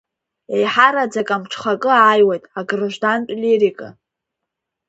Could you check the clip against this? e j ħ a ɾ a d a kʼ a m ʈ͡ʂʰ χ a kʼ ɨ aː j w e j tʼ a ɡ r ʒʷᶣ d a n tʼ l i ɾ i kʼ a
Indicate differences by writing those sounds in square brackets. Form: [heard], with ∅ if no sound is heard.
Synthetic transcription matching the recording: e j ħ a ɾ a [d͡z] a kʼ a m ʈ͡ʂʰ χ a kʼ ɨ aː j w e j tʼ a ɡ r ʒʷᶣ d a n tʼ l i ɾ i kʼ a